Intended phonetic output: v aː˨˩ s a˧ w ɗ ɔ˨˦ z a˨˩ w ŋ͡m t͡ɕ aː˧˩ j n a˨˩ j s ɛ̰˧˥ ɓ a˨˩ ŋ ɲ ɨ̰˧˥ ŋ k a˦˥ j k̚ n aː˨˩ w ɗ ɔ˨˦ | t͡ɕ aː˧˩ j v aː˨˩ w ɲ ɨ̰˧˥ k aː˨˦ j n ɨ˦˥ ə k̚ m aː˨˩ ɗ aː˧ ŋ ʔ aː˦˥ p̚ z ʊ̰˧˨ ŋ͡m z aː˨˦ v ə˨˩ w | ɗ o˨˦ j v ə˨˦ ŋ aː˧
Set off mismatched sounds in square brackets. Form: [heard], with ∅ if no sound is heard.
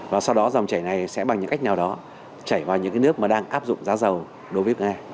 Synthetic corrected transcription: v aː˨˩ s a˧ w ɗ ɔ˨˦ z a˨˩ w ŋ͡m t͡ɕ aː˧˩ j n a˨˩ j s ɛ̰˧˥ ɓ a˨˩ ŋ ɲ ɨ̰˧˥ ŋ k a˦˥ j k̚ n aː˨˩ w ɗ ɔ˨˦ | t͡ɕ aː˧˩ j v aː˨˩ w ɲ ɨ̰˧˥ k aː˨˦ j n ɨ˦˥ ə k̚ m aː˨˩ ɗ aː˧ ŋ ʔ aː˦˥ p̚ z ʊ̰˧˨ ŋ͡m z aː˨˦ [z] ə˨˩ w | ɗ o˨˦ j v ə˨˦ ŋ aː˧